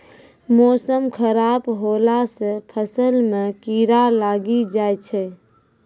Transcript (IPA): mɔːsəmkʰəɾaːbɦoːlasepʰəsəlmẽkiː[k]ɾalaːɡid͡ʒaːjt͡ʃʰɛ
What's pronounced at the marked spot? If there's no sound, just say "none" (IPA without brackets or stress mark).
none